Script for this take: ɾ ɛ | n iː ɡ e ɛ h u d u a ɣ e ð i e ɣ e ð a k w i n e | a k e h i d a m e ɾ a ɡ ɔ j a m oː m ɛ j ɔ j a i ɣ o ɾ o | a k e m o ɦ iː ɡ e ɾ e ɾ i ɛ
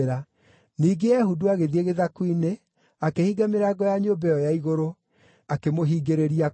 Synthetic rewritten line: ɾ a | n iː ɡ e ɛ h u d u a ɣ e ð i e ɣ e ð a k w i n e | a k e h i ɡ a m e ɾ a ɡ ɔ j a ɲ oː b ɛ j ɔ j a i ɣ o ɾ o | a k e m o ɦ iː ɡ e ɾ e ɾ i a